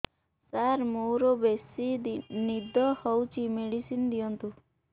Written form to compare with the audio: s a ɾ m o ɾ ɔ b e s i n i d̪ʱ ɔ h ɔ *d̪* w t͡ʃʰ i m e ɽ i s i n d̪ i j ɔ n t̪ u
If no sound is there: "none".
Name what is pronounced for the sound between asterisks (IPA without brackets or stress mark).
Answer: none